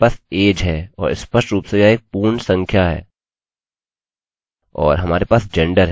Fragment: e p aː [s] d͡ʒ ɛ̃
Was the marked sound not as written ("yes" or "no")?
no